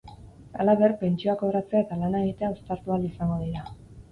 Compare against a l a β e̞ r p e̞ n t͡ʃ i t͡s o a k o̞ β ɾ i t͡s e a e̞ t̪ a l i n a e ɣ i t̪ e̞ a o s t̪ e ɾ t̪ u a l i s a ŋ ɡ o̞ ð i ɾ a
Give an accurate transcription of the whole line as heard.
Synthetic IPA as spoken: a l a β e̞ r p e̞ n t͡ʃ i o a k o̞ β ɾ a t͡s e a e̞ t̪ a l a n a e ɣ i t̪ e̞ a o s t̪ a ɾ t̪ u a l i s a ŋ ɡ o̞ ð i ɾ a